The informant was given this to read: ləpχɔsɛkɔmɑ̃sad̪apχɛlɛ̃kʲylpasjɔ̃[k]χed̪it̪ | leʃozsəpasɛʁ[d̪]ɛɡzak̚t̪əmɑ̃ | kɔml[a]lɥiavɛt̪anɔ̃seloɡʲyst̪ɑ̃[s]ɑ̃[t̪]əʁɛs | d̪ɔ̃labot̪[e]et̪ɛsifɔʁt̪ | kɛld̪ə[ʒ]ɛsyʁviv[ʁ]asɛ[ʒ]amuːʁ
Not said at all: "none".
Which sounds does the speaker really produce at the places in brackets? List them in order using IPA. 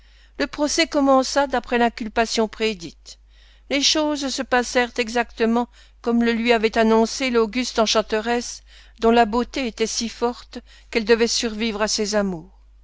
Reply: p, t̪, ə, ʃ, t̪, e, v, ʁ, z

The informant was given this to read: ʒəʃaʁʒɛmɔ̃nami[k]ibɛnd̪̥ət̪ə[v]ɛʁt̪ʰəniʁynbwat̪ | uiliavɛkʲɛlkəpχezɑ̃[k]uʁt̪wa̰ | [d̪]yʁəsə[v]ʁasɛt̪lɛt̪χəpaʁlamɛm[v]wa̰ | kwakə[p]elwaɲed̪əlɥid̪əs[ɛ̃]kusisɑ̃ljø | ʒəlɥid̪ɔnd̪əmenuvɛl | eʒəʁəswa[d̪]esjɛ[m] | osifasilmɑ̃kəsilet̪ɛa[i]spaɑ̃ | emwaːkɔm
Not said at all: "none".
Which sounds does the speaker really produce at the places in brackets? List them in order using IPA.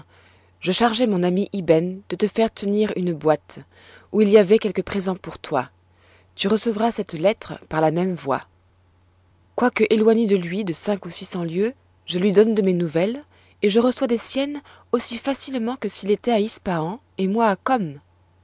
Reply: ʔ, f, p, t̪, v, v, ʔ, ɛ̃, d̪, n, i

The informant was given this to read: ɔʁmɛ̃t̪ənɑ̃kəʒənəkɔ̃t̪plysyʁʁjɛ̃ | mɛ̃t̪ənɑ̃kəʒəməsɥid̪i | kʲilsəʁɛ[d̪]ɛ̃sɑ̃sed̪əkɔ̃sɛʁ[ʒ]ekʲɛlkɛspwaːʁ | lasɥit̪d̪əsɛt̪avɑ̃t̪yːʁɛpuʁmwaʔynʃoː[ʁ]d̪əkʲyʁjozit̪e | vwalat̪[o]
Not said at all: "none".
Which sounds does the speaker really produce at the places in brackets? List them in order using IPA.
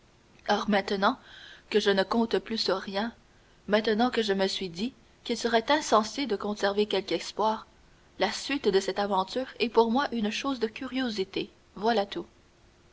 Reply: t̪, v, z, u

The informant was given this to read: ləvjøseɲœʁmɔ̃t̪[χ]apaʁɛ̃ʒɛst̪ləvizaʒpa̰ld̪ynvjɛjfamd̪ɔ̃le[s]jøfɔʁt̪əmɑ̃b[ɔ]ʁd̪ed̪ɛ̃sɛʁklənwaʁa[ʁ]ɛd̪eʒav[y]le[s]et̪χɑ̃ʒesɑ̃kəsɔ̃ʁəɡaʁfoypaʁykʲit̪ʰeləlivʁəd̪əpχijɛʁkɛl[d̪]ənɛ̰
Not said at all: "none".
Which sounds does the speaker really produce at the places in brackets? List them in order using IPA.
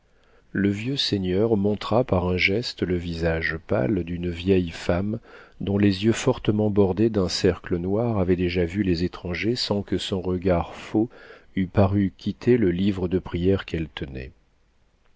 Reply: χ, z, ɔ, v, y, z, t̪

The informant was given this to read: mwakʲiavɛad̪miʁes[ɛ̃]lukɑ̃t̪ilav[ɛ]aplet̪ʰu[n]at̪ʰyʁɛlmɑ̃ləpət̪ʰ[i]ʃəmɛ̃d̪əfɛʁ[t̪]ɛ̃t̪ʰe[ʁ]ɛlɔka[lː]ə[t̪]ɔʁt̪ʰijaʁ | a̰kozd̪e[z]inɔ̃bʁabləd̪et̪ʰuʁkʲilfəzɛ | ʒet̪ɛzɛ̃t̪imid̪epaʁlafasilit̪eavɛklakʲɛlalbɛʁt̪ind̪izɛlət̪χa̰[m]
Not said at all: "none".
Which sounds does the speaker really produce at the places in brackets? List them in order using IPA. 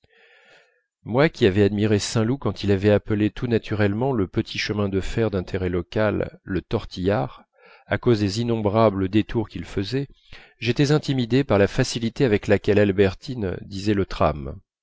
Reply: ɛ̃, ɛ, n, i, d̪, ʁ, lː, t̪, z, m

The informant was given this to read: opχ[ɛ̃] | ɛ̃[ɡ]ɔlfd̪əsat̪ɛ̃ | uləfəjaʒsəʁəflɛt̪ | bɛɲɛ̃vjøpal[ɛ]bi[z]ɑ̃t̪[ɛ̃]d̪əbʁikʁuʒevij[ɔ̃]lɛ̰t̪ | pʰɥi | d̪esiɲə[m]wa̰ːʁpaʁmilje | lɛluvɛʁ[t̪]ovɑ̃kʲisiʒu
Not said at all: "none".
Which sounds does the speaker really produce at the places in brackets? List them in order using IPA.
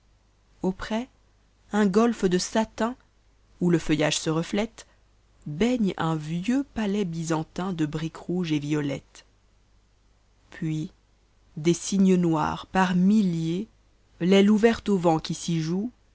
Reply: ɛ, ɡ, ɛ, z, ɛ̃, ɔ, n, t̪

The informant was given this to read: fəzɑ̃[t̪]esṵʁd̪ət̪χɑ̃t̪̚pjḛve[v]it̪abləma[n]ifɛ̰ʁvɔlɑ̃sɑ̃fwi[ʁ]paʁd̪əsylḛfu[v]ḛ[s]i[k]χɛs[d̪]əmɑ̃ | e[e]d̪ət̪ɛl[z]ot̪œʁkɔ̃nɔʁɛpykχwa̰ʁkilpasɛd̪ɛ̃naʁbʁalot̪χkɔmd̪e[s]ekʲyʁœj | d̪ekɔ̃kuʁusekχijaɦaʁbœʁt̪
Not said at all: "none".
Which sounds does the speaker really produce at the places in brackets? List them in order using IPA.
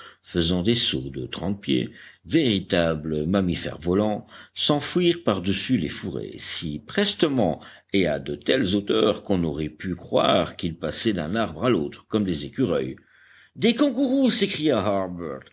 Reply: d̪, ʁ, m, ʁ, ʁ, s, p, t̪, a, z, z

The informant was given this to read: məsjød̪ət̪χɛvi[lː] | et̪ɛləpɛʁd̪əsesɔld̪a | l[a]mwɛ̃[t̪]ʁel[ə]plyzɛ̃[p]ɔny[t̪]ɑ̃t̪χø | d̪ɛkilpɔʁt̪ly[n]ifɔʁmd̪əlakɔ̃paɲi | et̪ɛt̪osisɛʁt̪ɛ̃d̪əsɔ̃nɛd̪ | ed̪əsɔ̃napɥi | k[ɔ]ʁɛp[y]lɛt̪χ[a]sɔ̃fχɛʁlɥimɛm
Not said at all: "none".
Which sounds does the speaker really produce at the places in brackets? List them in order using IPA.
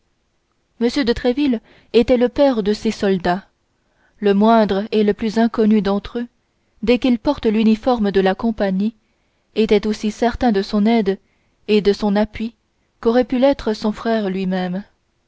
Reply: l, ə, d̪, ə, k, d̪, n, ɔ, y, ə

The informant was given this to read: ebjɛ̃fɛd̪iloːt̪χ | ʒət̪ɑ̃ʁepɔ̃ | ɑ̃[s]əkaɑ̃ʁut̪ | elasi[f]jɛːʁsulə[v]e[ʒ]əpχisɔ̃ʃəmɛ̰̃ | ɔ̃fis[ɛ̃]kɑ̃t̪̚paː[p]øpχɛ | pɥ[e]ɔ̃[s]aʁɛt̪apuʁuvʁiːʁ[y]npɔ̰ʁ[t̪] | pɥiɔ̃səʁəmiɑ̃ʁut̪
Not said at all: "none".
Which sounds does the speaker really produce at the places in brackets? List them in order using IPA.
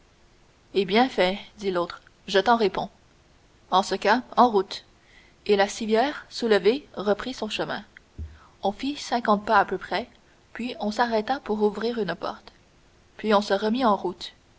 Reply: s, v, v, ʁ, ɛ̃, p, i, s, y, t̪

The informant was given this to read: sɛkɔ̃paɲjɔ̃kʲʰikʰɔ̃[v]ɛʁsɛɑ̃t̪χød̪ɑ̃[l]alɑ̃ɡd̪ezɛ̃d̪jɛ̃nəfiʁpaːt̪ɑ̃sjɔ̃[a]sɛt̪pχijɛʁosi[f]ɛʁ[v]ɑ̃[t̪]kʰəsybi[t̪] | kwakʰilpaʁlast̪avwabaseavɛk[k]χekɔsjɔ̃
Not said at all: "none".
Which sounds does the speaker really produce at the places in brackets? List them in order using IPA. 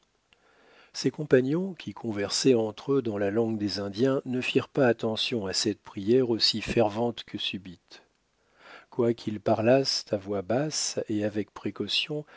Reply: v, l, a, f, v, t̪, t̪, p

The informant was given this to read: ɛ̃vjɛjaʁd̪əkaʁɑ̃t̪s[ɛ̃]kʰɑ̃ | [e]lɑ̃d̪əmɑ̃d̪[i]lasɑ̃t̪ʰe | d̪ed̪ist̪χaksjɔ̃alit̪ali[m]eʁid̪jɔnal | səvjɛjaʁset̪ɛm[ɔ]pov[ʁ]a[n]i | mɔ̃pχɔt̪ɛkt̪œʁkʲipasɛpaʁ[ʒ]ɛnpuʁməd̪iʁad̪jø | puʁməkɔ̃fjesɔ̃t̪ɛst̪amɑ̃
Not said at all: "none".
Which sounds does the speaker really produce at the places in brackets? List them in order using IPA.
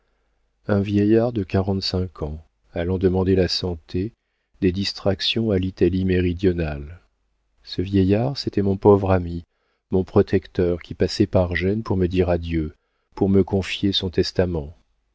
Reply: ɛ̃, a, e, m, ɔ̃, ʁ, m, ʒ

